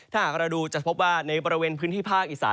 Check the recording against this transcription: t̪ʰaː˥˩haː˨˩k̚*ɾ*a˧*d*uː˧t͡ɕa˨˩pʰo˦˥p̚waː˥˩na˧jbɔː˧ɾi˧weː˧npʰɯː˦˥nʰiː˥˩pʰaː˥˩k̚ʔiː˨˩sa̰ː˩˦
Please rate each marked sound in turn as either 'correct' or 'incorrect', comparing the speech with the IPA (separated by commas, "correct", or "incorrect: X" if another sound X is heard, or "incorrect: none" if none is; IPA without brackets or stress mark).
correct, correct